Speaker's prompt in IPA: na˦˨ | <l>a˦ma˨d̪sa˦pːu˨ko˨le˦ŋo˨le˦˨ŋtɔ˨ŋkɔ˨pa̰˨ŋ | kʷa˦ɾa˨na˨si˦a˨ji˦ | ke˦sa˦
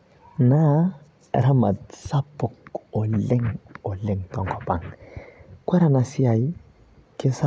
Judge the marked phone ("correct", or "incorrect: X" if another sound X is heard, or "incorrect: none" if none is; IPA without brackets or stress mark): incorrect: ɾ